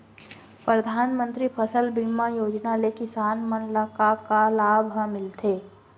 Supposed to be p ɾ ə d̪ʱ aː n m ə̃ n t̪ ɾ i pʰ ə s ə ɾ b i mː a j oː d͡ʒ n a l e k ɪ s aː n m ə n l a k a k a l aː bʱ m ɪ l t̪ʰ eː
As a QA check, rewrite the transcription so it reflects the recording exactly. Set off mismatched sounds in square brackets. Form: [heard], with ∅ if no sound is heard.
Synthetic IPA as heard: p ɾ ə d̪ʱ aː n m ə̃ n t̪ ɾ i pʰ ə s ə [l] b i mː a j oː d͡ʒ n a l e k ɪ s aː n m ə n l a k a k a l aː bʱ m ɪ l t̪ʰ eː